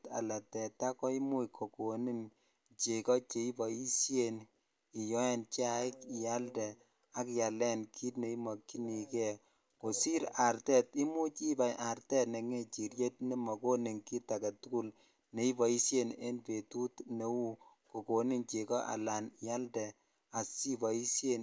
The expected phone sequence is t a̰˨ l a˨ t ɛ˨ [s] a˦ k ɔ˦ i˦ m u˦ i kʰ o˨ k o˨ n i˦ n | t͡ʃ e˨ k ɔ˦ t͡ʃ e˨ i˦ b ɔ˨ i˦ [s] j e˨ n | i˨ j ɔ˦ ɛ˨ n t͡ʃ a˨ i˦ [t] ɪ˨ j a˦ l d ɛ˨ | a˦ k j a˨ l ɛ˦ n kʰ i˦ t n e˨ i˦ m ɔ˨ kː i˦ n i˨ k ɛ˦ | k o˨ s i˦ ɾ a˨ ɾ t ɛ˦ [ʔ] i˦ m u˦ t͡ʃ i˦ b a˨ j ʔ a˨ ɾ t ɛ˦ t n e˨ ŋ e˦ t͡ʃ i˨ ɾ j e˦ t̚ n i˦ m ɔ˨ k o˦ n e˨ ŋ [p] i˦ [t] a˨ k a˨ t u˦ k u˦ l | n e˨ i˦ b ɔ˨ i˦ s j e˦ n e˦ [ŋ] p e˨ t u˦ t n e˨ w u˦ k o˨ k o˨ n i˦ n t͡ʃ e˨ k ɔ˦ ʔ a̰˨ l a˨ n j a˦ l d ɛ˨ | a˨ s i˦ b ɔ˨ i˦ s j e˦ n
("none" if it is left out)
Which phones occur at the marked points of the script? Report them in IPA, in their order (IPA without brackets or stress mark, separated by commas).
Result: t, s, k, t, k, t, n